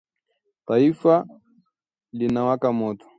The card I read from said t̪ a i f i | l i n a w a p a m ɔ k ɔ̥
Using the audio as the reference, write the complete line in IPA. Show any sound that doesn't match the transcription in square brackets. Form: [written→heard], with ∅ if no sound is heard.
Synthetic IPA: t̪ a i f [i→a] | l i n a w a [p→k] a m ɔ [k→t] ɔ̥